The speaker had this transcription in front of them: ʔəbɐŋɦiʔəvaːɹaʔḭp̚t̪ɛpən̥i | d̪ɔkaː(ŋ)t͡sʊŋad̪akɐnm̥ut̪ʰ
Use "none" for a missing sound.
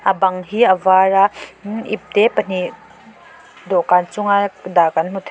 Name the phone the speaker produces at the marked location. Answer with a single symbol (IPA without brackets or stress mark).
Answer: n